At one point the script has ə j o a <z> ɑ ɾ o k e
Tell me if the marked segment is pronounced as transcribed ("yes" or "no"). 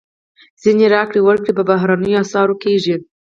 no